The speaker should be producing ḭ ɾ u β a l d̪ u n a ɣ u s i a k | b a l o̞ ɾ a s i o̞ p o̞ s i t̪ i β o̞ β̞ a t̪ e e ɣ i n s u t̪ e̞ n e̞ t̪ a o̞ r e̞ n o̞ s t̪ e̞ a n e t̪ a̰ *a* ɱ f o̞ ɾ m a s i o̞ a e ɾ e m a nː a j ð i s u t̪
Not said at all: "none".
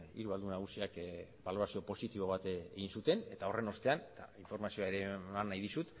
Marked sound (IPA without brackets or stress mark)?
i